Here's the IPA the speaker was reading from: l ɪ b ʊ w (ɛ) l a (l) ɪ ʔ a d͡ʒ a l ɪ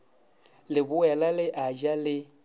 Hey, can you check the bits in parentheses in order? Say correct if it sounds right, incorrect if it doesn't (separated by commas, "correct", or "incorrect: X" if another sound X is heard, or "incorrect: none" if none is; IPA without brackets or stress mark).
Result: correct, correct